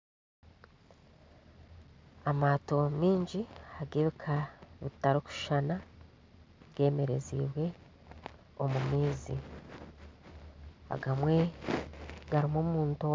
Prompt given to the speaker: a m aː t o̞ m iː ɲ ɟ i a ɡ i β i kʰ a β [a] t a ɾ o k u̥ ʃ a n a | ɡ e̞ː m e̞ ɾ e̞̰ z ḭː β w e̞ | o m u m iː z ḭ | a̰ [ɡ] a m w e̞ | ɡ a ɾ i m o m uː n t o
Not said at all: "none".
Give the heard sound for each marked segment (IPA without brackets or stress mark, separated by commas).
i, ɡ